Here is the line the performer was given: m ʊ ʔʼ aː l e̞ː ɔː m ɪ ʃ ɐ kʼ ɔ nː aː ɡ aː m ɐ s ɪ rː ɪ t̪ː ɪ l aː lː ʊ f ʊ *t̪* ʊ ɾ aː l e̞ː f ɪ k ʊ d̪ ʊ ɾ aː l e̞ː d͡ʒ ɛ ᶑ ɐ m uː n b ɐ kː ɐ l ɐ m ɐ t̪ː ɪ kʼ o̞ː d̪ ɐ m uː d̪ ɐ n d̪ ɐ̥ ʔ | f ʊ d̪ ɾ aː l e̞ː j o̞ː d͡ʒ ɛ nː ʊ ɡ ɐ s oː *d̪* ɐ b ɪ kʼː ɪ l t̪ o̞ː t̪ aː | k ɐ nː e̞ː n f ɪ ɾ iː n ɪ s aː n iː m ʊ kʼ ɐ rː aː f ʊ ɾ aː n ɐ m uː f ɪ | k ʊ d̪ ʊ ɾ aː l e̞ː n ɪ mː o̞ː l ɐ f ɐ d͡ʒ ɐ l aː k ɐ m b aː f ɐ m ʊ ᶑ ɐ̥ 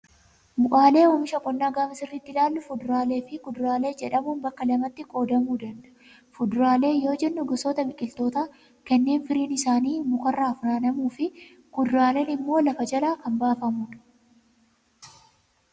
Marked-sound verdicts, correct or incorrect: incorrect: d̪, incorrect: t̪

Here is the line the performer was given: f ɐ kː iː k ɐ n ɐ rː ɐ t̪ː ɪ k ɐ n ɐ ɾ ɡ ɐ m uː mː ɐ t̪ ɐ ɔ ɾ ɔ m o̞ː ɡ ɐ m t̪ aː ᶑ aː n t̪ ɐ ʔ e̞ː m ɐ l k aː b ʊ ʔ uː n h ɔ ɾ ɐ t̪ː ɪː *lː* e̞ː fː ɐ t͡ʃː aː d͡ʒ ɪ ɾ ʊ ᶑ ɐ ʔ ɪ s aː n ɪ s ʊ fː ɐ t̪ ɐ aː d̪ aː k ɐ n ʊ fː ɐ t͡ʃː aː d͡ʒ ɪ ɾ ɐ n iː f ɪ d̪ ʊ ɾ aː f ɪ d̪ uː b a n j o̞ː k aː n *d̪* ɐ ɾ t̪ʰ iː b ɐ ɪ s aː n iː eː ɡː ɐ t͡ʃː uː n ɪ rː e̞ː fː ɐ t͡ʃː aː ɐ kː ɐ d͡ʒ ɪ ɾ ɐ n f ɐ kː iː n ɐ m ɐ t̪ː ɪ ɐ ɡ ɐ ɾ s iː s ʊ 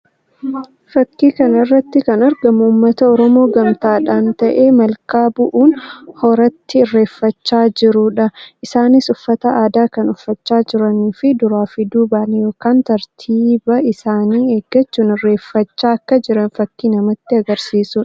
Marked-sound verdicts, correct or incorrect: incorrect: rː, incorrect: t̪

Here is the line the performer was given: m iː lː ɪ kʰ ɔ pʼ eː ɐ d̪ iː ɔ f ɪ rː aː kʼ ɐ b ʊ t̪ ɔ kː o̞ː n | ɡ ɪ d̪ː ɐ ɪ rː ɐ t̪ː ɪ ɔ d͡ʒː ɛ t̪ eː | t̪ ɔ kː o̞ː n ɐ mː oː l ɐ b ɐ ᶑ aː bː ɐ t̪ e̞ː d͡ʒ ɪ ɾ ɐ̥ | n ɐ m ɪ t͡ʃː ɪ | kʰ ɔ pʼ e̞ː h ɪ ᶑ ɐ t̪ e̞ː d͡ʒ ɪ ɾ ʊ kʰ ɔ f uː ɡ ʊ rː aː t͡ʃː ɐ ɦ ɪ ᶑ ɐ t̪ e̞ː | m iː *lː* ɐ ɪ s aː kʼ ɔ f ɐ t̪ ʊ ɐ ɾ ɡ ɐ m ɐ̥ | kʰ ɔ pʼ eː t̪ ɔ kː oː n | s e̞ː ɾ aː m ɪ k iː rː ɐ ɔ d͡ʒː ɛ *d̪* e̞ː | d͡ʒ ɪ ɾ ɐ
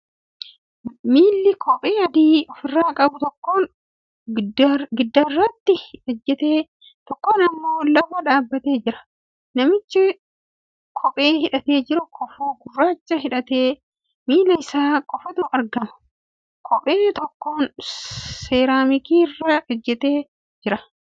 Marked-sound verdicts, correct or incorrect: incorrect: l, incorrect: t̪

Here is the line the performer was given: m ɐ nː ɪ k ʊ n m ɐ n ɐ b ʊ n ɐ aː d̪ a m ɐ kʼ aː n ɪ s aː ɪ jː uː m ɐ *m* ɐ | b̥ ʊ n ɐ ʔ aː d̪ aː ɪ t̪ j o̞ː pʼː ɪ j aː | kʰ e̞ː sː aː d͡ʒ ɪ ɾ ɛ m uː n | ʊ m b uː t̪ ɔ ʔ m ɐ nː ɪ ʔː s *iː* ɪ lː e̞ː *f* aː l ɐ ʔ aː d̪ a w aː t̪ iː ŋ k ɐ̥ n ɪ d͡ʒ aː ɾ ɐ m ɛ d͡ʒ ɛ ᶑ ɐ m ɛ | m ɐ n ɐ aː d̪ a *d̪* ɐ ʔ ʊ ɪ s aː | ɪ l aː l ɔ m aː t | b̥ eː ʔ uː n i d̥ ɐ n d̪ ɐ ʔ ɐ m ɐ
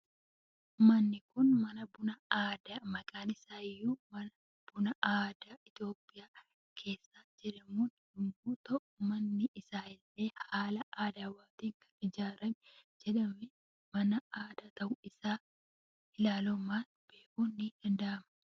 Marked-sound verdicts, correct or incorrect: incorrect: n, incorrect: aː, incorrect: h, incorrect: t̪

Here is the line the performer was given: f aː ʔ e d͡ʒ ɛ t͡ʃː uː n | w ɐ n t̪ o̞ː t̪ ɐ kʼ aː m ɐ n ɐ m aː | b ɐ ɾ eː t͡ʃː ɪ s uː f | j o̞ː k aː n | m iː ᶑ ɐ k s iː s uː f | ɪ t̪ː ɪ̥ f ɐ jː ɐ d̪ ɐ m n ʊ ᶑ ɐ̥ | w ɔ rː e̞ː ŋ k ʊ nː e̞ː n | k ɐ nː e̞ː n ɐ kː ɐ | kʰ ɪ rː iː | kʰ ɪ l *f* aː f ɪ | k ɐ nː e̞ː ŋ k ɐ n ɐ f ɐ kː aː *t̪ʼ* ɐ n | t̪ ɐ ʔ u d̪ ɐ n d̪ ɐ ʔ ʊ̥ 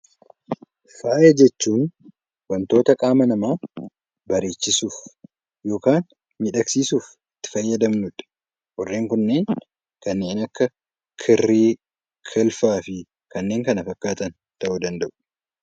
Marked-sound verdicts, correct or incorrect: correct, incorrect: t̪

